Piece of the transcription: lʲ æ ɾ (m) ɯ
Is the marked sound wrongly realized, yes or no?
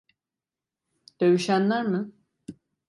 no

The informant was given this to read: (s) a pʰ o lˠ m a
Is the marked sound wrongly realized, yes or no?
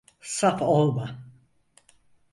no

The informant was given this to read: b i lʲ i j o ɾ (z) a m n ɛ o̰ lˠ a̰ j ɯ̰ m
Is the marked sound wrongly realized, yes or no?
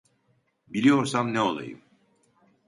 yes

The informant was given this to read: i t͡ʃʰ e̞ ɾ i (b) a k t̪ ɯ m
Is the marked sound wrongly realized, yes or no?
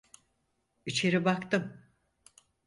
no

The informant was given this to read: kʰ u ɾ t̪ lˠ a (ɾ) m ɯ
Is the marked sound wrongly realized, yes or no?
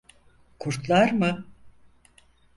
no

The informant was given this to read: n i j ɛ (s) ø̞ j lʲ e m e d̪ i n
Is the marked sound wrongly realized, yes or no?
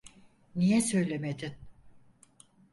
no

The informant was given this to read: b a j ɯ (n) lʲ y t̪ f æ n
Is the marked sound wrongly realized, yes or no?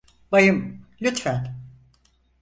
yes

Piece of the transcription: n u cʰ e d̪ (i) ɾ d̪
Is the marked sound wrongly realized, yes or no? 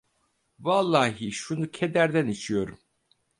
yes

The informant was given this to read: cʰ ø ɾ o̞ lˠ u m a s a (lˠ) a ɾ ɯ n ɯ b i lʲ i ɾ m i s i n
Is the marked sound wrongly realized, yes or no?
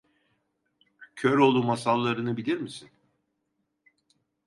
yes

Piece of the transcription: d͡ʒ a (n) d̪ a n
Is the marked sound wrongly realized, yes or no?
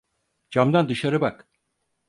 yes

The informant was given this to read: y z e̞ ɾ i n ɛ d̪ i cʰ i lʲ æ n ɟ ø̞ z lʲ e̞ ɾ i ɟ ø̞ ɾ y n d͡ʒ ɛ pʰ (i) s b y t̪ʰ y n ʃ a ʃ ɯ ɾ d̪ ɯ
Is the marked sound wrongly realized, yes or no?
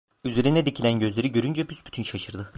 yes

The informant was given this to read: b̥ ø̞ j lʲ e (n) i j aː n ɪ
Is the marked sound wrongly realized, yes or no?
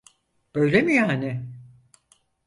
yes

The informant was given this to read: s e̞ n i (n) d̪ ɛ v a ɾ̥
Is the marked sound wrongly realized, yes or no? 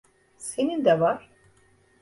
no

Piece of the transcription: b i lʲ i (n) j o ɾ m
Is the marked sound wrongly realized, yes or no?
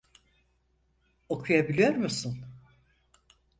yes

